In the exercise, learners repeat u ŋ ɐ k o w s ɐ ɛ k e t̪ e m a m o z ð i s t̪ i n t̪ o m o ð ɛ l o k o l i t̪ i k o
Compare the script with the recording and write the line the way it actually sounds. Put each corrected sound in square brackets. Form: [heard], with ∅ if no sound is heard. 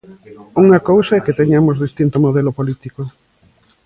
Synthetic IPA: u ŋ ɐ k o w s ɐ ɛ k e t̪ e [ɲ] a m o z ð i s t̪ i n t̪ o m o ð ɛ l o [p] o l i t̪ i k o

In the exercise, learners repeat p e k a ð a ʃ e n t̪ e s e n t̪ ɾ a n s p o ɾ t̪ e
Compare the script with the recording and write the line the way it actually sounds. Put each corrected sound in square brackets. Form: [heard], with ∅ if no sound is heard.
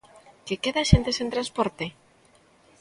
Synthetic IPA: [k] e k [e] ð a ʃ e n t̪ e s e n t̪ ɾ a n s p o ɾ t̪ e

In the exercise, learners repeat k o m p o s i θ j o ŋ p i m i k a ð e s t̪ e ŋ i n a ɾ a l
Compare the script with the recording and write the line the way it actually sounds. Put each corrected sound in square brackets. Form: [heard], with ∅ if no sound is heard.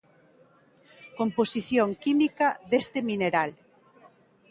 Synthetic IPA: k o m p o s i θ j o ŋ [k] i m i k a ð e s t̪ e [m] i n [e] ɾ a l

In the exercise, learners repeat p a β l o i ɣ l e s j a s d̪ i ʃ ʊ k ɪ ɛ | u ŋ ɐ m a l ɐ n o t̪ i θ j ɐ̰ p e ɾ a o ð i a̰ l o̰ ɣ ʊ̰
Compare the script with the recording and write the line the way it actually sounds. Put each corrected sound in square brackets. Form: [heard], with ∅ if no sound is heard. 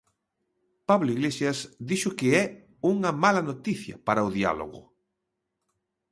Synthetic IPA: p a β l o i ɣ l e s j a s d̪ i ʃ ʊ k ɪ ɛ | u ŋ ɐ m a l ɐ n o t̪ i θ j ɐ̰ p [a] ɾ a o ð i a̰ l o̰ ɣ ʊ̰

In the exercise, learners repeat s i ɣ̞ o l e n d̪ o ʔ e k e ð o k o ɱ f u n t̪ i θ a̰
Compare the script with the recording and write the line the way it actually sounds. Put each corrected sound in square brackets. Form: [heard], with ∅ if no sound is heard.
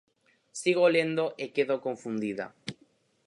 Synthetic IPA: s i ɣ̞ o l e n d̪ o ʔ e k e ð o k o ɱ f u n [d̪] i [ð] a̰

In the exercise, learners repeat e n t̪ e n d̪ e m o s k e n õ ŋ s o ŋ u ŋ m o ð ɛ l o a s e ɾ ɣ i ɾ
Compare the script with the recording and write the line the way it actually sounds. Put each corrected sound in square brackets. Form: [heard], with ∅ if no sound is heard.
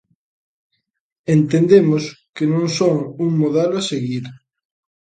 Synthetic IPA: e n t̪ e n d̪ e m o s k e n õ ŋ s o ŋ u ŋ m o ð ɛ l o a s e [∅] ɣ i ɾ

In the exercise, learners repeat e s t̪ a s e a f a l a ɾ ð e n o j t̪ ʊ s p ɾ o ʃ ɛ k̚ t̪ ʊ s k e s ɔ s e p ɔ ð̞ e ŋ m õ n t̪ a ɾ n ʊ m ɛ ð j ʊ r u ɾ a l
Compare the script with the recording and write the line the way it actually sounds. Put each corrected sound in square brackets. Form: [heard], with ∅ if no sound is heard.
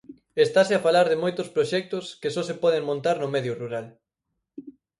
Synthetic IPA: e s t̪ a s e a f a l a ɾ ð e [m] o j t̪ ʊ s p ɾ o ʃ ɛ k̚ t̪ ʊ s k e s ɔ s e p ɔ ð̞ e ŋ m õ n t̪ a ɾ n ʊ m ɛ ð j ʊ r u ɾ a l

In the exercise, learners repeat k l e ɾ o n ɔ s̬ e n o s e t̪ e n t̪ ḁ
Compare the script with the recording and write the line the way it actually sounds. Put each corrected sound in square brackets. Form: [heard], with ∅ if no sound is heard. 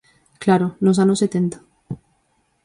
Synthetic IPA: k l [a] ɾ o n [o] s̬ [a] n o s e t̪ e n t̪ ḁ

